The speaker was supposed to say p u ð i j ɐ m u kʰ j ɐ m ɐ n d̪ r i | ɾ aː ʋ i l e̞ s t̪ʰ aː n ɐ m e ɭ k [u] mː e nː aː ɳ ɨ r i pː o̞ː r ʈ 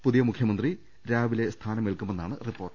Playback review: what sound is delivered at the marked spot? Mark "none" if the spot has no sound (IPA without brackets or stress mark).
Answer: u